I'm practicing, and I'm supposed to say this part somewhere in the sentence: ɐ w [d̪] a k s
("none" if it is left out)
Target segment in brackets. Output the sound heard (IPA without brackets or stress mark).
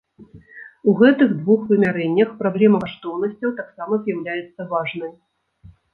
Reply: t̪